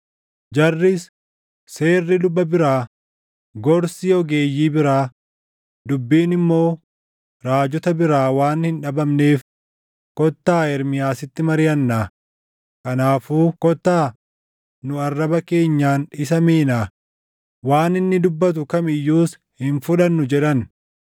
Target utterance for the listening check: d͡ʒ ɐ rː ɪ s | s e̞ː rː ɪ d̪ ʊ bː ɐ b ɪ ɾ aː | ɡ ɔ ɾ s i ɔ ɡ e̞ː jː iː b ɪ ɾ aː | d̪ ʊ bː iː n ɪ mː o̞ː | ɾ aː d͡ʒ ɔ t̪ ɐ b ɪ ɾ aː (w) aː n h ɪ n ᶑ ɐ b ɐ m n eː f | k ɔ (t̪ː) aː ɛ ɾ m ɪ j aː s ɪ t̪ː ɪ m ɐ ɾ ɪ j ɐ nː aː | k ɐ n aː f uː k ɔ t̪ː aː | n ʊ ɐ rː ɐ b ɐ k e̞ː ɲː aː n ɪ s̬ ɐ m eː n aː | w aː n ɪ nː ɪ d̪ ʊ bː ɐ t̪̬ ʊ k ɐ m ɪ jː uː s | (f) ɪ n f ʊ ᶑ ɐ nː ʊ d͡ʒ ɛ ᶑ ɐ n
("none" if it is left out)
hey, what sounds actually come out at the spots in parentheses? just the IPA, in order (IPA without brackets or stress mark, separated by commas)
w, t̪ː, h